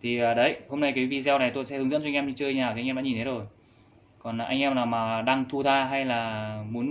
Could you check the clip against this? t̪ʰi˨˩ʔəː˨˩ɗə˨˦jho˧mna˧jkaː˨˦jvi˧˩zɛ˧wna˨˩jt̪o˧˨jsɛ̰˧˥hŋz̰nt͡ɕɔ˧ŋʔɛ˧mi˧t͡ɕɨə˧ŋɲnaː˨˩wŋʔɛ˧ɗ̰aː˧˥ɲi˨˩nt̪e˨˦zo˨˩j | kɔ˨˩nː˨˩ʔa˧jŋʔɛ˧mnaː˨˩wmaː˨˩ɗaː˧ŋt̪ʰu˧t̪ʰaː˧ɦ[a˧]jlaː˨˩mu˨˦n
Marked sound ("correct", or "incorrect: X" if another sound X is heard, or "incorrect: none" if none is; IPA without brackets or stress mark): correct